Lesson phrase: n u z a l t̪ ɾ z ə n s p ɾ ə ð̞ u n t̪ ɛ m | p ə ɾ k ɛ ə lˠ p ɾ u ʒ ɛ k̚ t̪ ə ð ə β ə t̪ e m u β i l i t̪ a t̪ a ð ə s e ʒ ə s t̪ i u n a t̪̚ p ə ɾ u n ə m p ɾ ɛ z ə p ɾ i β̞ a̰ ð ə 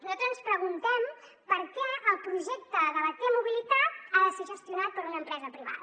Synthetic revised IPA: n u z a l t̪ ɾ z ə n s p ɾ ə ɣ̞ u n t̪ ɛ m | p ə ɾ k ɛ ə lˠ p ɾ u ʒ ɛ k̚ t̪ ə ð ə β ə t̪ e m u β i l i t̪ a t̪ a ð ə s e ʒ ə s t̪ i u n a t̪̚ p ə ɾ u n ə m p ɾ ɛ z ə p ɾ i β̞ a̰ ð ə